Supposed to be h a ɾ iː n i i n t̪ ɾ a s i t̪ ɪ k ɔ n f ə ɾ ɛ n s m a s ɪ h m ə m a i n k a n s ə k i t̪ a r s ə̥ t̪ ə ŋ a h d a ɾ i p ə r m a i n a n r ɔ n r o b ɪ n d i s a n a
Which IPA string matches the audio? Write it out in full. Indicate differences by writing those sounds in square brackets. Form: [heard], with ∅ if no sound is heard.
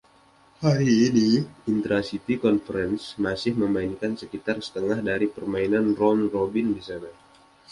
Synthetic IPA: h a ɾ iː n i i n t̪ ɾ a s i t̪ [i] k ɔ n f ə ɾ ɛ n s m a s ɪ h m ə m a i n k a n s ə k i t̪ a r s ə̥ t̪ ə ŋ a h d a ɾ i p ə r m a i n a n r ɔ n r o b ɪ n d i s a n a

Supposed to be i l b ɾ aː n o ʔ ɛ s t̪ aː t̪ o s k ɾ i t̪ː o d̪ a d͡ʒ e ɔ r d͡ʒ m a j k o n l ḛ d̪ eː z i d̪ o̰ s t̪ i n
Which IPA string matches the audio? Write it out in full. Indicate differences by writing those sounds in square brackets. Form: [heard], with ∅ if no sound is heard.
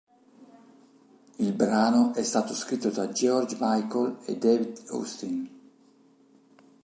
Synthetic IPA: i l b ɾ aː n o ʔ ɛ s t̪ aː t̪ o s k ɾ i t̪ː o d̪ a d͡ʒ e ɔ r d͡ʒ m a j k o [∅] l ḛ d̪ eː [v] i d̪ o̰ s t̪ i n

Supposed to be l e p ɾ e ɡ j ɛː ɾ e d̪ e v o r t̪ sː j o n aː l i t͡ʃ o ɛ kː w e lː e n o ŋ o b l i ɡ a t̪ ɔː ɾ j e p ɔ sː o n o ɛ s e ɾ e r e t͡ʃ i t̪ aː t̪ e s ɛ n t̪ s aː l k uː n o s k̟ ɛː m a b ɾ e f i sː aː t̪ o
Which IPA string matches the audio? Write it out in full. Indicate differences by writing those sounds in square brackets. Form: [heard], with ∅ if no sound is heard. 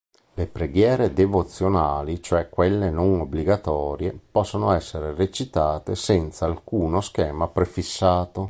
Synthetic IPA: l e p ɾ e ɡ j ɛː ɾ e d̪ e v o [∅] t̪ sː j o n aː l i t͡ʃ o ɛ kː w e lː e n o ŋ o b l i ɡ a t̪ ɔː ɾ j e p ɔ sː o n o ɛ [sː] e ɾ e r e t͡ʃ i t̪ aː t̪ e s ɛ n t̪ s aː l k uː n o s k̟ ɛː m a [p] ɾ e f i sː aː t̪ o

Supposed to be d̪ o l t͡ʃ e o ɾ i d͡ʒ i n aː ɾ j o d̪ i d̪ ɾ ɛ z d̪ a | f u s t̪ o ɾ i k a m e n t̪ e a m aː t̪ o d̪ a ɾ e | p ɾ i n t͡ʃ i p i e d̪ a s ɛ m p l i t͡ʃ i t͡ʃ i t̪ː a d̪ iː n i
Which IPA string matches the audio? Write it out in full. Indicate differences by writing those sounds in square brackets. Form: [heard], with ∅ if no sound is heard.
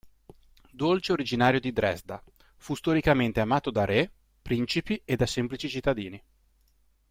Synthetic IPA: d̪ o l t͡ʃ e o ɾ i d͡ʒ i n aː ɾ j o d̪ i d̪ ɾ ɛ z d̪ a | f u s t̪ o ɾ i k a m e n t̪ e a m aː t̪ o d̪ a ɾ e | p ɾ i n t͡ʃ i p i e d̪ a s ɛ m p l i t͡ʃ i t͡ʃ i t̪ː a d̪ iː n i

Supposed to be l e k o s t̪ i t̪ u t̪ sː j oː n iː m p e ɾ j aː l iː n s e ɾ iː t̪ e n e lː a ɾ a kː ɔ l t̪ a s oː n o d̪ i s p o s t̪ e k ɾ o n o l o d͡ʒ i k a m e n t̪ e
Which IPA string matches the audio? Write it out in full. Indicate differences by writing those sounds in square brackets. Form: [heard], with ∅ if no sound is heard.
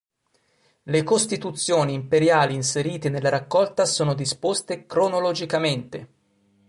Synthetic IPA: l e k o s t̪ i t̪ u t̪ sː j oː n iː m p e ɾ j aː l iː n s e ɾ iː t̪ e n e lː a ɾ a kː ɔ l t̪ a s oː n o d̪ i s p o s t̪ e k ɾ o n o l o d͡ʒ i k a m e n t̪ e

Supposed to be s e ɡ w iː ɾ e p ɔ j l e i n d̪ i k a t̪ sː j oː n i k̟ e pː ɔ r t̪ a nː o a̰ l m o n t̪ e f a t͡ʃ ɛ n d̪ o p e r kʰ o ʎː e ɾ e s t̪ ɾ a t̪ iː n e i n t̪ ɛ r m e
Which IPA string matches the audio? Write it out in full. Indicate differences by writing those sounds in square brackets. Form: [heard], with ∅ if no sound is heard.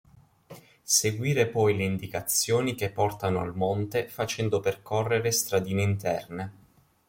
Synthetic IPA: s e ɡ w iː ɾ e p ɔ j l e i n d̪ i k a t̪ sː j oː n i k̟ e pː ɔ r t̪ a [n] o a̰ l m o n t̪ e f a t͡ʃ ɛ n d̪ o p e r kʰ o [rː] e ɾ e s t̪ ɾ a [d̪] iː n e i n t̪ ɛ r [n] e

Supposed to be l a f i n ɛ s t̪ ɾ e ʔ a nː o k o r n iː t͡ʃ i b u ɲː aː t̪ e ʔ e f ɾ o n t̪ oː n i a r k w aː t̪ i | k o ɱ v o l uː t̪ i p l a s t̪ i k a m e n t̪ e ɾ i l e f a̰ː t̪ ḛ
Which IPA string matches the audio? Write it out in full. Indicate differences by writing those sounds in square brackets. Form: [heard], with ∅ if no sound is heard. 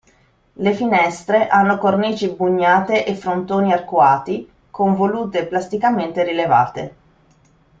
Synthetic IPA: l [e] f i n ɛ s t̪ ɾ e ʔ a nː o k o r n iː t͡ʃ i b u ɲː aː t̪ e ʔ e f ɾ o n t̪ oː n i a r k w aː t̪ i | k o ɱ v o l uː t̪ [e] p l a s t̪ i k a m e n t̪ e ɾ i l e [v] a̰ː t̪ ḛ

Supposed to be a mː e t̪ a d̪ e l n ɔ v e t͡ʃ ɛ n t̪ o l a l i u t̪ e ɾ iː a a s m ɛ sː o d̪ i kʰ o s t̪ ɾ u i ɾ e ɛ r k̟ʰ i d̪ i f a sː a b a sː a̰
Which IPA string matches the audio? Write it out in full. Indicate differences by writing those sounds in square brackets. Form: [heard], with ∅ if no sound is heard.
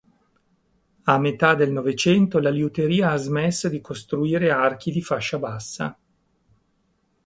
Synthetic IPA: a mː e t̪ a d̪ e l n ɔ v e t͡ʃ ɛ n t̪ o l a l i u t̪ e ɾ iː a a [z] m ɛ sː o d̪ i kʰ o s t̪ ɾ u [iː] ɾ e [a] r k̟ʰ i d̪ i f a [ʃː] a b a sː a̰

